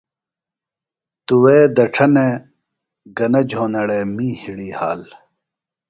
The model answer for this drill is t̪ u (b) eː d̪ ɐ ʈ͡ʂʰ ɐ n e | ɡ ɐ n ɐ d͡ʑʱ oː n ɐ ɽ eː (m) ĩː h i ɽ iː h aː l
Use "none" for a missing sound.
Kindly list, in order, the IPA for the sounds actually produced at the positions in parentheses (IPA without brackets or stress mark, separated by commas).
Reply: w, m